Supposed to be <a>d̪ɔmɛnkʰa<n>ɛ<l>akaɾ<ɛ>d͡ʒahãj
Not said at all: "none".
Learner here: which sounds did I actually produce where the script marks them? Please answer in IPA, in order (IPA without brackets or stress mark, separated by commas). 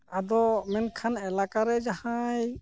a, n, l, ɛ